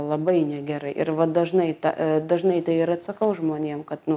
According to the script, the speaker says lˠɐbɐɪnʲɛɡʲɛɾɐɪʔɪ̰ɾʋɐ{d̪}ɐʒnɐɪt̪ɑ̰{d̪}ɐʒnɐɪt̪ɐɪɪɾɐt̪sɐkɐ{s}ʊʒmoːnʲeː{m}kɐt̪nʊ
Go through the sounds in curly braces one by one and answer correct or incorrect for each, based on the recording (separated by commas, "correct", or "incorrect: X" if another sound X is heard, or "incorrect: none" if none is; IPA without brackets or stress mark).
correct, correct, incorrect: none, correct